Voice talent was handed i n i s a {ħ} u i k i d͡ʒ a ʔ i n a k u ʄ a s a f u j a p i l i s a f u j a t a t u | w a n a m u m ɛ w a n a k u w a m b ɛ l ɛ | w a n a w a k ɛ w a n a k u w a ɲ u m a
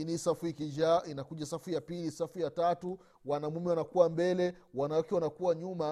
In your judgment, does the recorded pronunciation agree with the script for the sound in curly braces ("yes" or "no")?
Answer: no